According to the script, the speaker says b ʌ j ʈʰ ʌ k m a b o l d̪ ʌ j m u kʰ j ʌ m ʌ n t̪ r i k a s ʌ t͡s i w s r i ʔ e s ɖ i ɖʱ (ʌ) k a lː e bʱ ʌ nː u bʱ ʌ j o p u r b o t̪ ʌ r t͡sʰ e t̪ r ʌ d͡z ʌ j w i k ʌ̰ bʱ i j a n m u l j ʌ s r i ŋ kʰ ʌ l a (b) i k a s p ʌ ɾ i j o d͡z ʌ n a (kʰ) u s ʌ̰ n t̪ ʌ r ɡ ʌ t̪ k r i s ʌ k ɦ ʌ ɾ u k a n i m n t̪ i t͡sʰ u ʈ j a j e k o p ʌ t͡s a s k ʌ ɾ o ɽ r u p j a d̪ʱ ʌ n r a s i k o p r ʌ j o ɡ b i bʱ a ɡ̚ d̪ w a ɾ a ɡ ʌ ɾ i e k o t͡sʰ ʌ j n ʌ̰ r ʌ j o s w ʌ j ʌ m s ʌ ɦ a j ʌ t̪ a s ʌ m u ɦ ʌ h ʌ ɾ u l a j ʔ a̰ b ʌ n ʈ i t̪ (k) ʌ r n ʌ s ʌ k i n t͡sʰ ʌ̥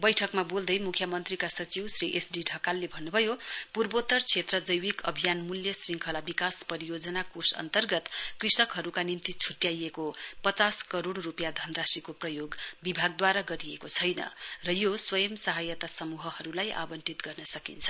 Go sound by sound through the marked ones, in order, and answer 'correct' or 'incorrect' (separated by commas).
correct, correct, incorrect, incorrect